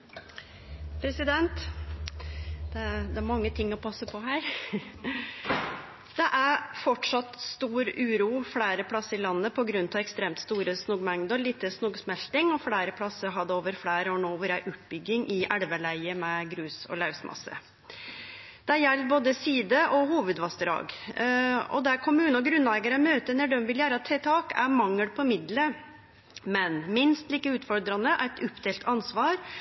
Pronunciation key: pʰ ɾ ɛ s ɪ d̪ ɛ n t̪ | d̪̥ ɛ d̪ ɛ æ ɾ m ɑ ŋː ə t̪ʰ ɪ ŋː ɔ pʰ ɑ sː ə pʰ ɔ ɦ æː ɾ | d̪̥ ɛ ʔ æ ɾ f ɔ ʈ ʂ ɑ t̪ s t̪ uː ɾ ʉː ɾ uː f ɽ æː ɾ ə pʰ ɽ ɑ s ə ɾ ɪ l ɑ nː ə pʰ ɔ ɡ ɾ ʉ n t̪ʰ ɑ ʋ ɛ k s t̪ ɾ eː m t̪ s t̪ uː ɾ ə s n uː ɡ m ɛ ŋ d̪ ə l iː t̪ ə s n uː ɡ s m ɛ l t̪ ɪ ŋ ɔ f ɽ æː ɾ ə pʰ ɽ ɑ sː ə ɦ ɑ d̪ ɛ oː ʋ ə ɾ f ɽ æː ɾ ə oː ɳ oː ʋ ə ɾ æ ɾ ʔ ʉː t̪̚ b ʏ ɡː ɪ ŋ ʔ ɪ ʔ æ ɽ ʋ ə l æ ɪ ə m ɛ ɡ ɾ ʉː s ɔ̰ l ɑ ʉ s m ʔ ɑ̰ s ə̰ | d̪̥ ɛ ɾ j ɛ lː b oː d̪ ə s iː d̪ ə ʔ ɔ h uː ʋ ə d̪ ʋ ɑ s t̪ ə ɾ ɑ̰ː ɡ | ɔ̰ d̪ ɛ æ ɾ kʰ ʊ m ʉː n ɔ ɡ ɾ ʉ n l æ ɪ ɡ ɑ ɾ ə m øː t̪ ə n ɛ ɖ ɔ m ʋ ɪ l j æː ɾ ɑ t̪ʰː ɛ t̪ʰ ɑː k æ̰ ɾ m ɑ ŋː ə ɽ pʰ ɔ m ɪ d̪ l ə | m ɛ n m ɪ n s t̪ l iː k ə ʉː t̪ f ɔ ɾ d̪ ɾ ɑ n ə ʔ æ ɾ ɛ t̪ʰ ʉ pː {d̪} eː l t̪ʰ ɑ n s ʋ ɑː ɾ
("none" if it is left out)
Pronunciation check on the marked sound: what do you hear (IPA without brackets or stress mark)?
d̪